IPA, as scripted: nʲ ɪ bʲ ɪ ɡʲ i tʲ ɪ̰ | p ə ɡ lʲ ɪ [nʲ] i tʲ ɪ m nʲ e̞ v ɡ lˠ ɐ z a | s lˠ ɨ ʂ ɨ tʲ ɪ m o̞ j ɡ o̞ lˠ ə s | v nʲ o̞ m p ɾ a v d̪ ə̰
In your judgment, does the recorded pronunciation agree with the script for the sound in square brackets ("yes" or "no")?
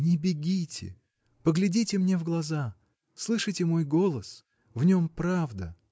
no